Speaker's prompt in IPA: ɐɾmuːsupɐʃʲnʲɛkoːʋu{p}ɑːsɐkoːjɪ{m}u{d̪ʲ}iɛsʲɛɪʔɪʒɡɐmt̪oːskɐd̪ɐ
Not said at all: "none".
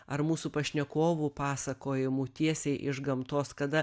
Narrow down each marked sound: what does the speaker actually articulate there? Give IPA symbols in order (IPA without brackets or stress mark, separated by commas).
p, m, t̪ʲ